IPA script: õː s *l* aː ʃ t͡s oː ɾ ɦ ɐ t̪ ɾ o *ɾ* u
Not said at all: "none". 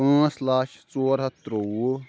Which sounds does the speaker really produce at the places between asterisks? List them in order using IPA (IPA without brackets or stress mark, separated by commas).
l, none